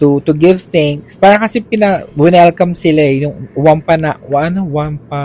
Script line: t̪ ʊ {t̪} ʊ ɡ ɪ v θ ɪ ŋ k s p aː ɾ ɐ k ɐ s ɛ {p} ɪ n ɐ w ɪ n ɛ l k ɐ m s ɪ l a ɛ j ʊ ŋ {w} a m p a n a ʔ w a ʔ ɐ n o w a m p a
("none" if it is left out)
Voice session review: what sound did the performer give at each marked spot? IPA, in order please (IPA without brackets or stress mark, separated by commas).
t̪, p, w